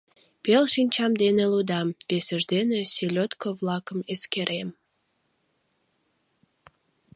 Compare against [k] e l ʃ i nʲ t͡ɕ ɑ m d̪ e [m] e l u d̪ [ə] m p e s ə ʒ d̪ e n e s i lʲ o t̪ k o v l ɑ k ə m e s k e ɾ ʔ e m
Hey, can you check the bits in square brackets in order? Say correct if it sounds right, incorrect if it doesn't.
incorrect: p, incorrect: n, incorrect: ɑ

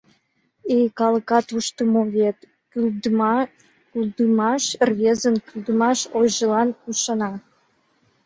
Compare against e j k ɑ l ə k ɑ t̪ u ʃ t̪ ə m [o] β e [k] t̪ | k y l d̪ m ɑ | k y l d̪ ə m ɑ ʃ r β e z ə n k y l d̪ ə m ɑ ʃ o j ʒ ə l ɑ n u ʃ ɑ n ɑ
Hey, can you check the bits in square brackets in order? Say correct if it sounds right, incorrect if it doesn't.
correct, incorrect: none

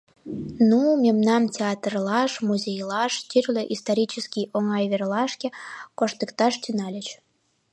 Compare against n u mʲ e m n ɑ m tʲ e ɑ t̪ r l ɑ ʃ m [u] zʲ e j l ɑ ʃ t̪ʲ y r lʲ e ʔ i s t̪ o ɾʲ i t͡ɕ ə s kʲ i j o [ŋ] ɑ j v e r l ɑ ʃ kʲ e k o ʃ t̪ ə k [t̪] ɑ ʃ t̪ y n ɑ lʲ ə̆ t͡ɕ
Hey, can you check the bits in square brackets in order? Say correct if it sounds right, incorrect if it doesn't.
correct, correct, correct

